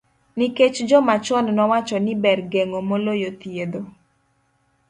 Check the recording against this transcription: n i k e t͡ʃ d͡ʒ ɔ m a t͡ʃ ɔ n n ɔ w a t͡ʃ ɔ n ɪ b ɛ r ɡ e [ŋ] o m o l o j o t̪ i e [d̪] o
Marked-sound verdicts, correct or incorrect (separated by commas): correct, correct